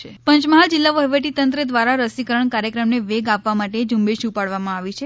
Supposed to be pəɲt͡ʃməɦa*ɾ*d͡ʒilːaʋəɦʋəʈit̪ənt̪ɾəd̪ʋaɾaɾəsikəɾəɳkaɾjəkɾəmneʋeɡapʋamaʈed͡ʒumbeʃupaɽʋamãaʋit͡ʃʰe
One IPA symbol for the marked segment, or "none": l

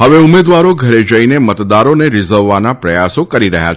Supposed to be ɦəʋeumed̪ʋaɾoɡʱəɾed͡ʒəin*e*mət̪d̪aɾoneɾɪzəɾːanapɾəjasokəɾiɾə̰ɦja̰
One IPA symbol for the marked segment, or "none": e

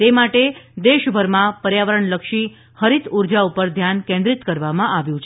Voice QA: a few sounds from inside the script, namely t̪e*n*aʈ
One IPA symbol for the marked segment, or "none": m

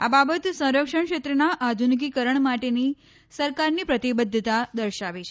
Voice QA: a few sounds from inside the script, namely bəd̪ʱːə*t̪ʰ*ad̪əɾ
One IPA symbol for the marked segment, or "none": t̪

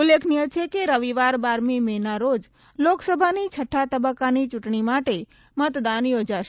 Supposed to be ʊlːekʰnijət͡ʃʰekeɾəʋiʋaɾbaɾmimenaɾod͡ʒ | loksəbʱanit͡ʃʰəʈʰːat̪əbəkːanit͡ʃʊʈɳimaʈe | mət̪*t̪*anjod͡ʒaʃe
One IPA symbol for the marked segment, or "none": d̪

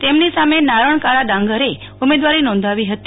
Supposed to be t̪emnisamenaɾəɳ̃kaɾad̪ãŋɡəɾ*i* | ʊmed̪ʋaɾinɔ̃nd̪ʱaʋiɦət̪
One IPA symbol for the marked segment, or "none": e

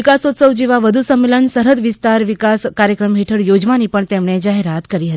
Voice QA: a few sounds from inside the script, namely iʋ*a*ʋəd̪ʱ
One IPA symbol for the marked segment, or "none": a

